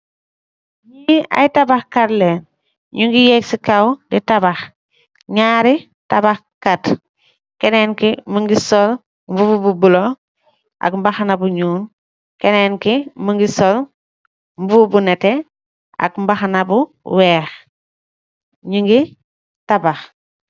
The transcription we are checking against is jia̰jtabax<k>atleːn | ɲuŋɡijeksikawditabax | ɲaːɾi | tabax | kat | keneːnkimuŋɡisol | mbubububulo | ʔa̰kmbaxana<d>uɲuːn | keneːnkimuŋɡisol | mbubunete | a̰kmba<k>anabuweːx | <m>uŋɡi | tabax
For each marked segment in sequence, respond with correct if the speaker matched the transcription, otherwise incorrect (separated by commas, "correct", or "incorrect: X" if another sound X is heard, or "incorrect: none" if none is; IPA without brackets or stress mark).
correct, incorrect: b, incorrect: x, incorrect: ɲ